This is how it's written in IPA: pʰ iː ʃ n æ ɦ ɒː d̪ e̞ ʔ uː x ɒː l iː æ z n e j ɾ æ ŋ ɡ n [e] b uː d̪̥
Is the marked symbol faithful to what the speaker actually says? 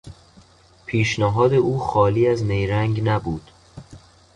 no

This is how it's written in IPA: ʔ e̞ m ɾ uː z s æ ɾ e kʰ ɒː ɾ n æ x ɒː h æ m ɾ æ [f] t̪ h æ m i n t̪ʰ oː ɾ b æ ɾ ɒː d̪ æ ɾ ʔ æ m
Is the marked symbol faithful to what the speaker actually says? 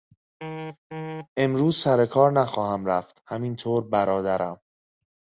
yes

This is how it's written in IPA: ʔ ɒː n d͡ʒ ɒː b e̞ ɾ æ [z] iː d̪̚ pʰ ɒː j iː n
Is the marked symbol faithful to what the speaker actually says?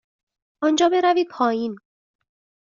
no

